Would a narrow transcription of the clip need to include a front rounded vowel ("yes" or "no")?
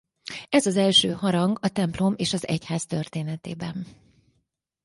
yes